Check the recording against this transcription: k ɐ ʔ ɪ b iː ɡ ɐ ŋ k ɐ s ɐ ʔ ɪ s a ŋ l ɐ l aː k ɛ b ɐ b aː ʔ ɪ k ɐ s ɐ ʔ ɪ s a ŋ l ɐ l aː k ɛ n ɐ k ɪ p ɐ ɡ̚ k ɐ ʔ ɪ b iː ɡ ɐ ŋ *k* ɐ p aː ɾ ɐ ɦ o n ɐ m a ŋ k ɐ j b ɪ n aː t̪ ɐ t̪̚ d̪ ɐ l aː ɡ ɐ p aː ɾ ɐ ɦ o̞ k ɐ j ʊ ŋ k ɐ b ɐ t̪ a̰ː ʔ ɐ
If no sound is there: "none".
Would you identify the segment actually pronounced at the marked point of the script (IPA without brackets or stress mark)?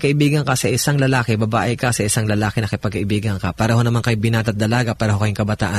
k